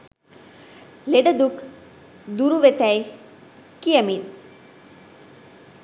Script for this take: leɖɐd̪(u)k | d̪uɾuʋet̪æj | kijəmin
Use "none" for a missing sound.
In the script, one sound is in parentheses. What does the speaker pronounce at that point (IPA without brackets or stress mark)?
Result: u